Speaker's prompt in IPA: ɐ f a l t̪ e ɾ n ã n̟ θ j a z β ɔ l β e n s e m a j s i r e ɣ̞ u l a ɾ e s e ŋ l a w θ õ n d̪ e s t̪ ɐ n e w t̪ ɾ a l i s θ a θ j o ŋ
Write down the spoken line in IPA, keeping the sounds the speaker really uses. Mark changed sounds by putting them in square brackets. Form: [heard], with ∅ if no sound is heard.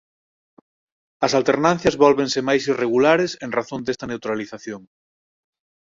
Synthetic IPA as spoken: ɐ [s] a l t̪ e ɾ n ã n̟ θ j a z β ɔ l β e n s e m a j s i r e ɣ̞ u l a ɾ e s e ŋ [r] a [∅] θ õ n d̪ e s t̪ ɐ n e w t̪ ɾ a l i [∅] θ a θ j o ŋ